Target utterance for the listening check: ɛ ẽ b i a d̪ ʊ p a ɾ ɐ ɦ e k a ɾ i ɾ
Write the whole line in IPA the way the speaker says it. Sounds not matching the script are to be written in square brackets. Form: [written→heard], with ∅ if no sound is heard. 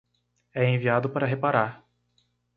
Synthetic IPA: ɛ ẽ [b→v] i a d̪ ʊ p a ɾ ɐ ɦ e [k→p] a ɾ [i→a] ɾ